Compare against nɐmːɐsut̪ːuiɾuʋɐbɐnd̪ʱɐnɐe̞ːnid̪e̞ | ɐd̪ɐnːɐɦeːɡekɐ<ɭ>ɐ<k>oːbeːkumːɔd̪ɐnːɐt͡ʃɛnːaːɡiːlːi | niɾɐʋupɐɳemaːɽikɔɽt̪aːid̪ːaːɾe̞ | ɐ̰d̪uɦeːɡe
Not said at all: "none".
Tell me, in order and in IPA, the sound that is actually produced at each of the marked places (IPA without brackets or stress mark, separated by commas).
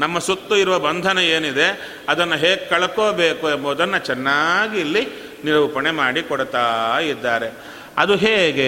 ɭ, k